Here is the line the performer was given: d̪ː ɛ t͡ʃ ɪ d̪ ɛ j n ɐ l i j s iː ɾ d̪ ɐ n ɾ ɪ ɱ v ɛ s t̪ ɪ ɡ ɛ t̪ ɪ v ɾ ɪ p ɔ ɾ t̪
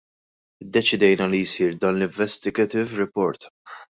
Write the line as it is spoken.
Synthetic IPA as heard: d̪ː ɛ t͡ʃ ɪ d̪ ɛ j n ɐ l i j s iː ɾ d̪ ɐ n l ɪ ɱ v ɛ s t̪ ɪ ɡ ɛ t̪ ɪ v ɾ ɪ p ɔ ɾ t̪